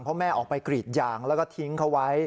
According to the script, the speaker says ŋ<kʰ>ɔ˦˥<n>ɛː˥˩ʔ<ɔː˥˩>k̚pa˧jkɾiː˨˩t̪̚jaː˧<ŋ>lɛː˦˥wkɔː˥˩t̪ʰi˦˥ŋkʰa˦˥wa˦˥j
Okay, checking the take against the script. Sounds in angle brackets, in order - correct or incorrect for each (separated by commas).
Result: incorrect, incorrect, incorrect, correct